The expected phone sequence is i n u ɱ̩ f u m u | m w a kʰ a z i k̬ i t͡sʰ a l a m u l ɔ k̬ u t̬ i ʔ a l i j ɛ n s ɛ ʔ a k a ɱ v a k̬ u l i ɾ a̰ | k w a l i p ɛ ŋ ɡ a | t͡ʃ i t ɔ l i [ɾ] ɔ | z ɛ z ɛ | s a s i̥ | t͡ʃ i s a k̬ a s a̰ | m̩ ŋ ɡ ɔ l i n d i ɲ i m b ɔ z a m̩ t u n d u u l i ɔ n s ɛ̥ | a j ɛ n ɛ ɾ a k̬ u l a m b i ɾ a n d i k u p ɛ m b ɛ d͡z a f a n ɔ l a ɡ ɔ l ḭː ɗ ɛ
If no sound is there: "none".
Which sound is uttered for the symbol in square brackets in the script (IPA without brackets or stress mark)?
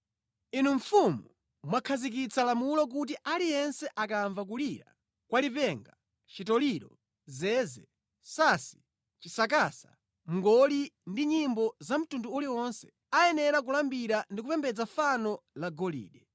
ɾ